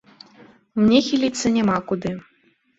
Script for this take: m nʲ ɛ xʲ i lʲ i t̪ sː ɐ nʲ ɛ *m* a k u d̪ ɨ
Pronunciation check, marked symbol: correct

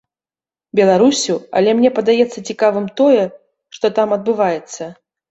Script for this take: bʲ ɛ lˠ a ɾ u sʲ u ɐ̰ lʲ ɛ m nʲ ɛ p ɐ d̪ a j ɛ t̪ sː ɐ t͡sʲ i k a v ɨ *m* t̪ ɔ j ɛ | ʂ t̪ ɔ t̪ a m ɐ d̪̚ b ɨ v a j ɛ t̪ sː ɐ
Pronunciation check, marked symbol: correct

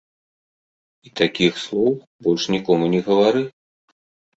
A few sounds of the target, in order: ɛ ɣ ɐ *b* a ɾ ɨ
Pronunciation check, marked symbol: incorrect: v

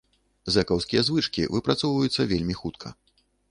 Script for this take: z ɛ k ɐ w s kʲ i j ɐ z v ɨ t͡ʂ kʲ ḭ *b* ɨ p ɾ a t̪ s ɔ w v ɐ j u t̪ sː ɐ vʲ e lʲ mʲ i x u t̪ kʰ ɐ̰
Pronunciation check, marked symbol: incorrect: v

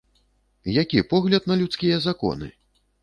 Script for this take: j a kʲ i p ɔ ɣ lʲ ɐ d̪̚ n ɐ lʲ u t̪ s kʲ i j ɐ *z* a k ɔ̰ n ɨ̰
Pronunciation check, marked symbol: correct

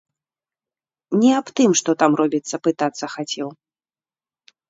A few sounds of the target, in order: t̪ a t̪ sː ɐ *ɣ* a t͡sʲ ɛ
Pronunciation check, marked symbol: incorrect: x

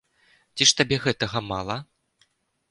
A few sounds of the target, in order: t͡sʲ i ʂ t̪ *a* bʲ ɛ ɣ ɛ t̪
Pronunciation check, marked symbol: correct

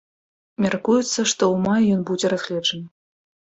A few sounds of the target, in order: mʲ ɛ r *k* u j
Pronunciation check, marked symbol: correct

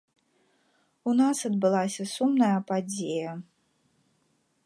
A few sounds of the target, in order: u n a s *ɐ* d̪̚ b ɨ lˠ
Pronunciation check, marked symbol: correct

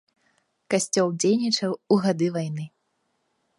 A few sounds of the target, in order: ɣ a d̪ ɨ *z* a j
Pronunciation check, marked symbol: incorrect: v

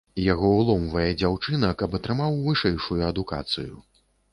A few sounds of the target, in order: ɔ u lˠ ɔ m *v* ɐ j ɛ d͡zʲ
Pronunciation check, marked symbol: correct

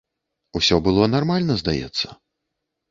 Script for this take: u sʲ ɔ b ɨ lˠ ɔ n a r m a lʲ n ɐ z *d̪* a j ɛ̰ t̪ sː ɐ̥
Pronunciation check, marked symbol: correct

